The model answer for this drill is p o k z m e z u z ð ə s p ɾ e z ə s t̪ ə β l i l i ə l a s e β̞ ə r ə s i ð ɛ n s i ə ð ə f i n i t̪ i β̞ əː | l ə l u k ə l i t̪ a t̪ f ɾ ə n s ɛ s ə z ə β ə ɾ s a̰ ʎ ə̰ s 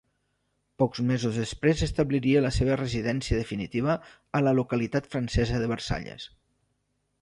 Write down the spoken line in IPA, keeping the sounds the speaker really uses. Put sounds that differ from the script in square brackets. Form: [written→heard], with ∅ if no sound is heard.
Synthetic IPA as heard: p [o→ɔ] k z m e z u z ð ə s p ɾ e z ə s t̪ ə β l i [l→ɾ] i ə l [a→ə] s e β̞ ə r ə [s→z] i ð ɛ n s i ə ð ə f i n i t̪ i β̞ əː | l ə l u k ə l i t̪ a t̪ f ɾ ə n s ɛ [s→z] ə [z→ð] ə β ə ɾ s a̰ ʎ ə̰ s